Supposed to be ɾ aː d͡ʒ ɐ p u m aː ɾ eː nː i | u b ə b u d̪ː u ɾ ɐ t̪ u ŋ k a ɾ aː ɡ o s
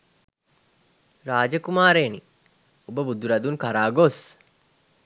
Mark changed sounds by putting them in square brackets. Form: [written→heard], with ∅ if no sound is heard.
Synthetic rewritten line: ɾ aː d͡ʒ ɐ [p→k] u m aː ɾ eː [nː→n] i | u b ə b u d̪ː u ɾ ɐ [t̪→d̪] u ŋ k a ɾ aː ɡ o s

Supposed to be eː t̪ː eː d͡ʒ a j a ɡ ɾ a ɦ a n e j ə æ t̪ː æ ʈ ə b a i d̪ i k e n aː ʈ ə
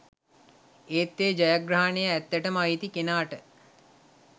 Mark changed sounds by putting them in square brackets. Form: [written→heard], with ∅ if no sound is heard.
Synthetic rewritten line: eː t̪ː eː d͡ʒ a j a ɡ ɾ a ɦ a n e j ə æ t̪ː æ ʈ ə [b→m] a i [d̪→t̪] i k e n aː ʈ ə

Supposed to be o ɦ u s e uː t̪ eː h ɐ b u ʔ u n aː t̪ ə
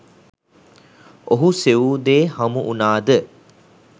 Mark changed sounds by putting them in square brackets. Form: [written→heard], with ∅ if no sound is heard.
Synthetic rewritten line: o ɦ u s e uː [t̪→d̪] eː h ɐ [b→m] u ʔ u n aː [t̪→d̪] ə

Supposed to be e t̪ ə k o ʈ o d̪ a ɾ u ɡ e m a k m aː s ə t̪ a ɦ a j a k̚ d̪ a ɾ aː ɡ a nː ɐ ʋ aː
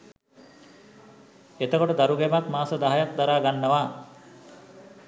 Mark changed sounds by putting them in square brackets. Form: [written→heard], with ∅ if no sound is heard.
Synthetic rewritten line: e t̪ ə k o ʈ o d̪ a ɾ u ɡ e m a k m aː s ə [t̪→d̪] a ɦ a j a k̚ d̪ a ɾ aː ɡ a nː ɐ ʋ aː

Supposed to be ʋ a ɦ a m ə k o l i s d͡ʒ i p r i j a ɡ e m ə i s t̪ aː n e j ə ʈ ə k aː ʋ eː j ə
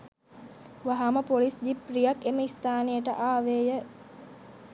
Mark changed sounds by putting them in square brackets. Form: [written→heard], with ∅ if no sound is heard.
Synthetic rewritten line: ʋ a ɦ a m ə [k→p] o l i s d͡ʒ i p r i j a [ɡ→k] e m ə i s t̪ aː n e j ə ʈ ə [k→ʔ] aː ʋ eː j ə

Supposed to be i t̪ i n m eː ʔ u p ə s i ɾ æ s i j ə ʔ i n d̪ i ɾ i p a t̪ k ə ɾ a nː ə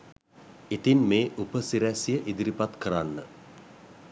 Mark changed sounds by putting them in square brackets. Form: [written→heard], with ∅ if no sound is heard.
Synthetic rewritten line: i t̪ i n m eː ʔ u p ə s i ɾ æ s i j ə ʔ i [n→∅] d̪ i ɾ i p a t̪ k ə ɾ a nː ə

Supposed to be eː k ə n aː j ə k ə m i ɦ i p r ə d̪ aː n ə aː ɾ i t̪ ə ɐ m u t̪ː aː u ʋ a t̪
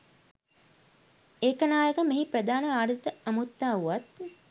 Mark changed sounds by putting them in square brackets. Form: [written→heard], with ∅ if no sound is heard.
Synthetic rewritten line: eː k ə n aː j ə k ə m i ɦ i p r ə d̪ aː n ə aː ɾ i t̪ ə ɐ m u t̪ː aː u ʋ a t̪

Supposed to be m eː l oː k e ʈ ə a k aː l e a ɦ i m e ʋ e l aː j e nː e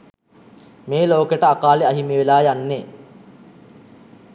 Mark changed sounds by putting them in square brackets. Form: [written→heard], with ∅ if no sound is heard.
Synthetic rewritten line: m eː l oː k e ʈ ə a k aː l e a ɦ i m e ʋ e l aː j [e→a] nː e

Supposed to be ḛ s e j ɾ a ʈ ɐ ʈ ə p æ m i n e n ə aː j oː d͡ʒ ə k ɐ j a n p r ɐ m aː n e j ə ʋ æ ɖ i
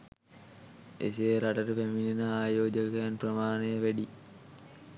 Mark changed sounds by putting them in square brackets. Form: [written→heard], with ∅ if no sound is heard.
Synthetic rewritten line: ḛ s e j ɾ a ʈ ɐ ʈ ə p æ m i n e n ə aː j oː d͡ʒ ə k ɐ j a n p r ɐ m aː n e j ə ʋ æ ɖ i

